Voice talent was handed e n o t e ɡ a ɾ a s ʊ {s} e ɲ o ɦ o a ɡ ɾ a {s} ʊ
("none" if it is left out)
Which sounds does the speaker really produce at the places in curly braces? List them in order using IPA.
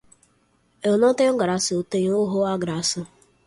t, s

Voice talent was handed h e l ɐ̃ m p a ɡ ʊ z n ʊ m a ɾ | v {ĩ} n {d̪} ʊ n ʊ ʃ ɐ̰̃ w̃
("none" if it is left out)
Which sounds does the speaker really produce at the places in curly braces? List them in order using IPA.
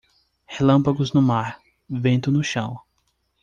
ẽ, t̪

